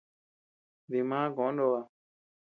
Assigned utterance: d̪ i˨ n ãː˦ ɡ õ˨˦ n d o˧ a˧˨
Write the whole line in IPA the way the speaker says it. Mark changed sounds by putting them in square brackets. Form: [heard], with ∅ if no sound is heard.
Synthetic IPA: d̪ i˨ [m] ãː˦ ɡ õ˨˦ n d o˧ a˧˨

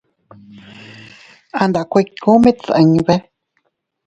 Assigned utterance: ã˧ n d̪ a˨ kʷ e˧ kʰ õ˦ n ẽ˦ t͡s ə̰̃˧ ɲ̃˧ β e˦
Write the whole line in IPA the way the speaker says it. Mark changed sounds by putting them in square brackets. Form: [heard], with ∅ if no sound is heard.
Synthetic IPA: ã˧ n d̪ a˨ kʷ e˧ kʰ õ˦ [m] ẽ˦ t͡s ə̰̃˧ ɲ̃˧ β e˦

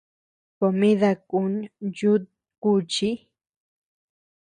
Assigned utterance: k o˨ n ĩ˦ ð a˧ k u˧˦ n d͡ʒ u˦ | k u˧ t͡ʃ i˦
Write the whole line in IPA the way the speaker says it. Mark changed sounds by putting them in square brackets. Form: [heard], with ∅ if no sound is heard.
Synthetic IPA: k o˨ [m] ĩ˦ ð a˧ k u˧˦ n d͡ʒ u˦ | k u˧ t͡ʃ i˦

